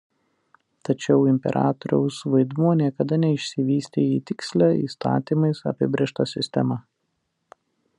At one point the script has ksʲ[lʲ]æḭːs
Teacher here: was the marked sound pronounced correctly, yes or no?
yes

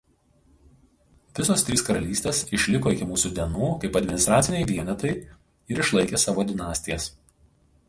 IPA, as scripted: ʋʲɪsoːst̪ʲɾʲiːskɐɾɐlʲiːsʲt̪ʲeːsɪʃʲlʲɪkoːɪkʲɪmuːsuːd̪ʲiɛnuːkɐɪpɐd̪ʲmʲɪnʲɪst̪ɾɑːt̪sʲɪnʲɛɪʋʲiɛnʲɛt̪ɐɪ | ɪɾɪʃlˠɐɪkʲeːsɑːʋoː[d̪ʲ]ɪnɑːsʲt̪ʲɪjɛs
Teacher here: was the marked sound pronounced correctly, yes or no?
yes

